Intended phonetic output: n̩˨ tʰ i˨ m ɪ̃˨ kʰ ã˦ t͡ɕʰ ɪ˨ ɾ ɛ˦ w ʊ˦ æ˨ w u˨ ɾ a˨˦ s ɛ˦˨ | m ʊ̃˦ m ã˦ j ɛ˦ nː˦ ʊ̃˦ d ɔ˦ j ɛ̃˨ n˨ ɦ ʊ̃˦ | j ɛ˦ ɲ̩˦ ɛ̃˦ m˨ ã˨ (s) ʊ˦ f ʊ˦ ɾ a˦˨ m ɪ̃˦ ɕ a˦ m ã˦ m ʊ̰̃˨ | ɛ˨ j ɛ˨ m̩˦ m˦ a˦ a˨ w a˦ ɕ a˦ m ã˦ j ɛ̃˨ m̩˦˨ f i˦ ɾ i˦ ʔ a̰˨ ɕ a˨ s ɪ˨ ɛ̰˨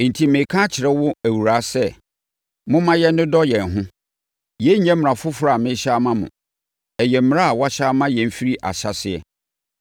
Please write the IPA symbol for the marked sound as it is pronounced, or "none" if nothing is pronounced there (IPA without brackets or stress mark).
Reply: f